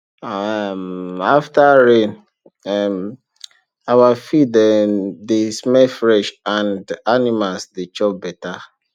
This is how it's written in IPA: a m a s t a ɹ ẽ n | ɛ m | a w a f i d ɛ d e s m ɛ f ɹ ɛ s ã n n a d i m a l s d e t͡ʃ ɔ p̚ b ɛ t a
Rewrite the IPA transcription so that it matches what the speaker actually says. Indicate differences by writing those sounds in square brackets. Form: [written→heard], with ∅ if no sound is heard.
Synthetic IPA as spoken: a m a [s→f] t a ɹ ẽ n | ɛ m | a w a f i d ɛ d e s m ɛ f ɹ ɛ [s→ʃ] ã n [n→d] a [d→n] i m a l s d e t͡ʃ ɔ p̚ b ɛ t a